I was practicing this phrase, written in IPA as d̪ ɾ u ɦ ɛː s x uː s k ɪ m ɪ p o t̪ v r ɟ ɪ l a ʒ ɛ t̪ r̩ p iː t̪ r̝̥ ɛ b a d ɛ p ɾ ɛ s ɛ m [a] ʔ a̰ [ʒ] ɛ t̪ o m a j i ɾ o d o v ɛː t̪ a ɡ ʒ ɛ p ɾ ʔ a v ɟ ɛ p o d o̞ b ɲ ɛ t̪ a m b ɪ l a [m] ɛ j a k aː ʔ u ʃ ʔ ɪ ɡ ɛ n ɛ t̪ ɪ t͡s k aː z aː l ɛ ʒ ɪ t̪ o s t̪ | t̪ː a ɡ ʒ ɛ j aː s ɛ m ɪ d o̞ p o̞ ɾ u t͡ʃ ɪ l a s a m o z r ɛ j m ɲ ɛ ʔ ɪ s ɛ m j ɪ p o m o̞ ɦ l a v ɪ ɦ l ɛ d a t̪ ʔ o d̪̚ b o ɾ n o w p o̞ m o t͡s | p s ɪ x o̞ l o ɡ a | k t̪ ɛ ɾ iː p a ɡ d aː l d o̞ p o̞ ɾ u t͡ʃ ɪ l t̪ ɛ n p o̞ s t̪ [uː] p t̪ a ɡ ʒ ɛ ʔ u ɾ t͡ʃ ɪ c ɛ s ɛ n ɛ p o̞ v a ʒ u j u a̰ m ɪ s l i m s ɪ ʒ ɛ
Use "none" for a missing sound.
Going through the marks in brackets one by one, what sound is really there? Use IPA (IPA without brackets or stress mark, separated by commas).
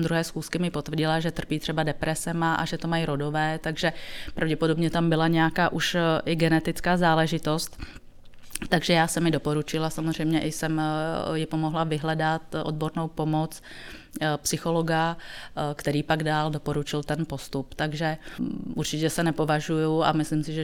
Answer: a, ʒ, ɲ, u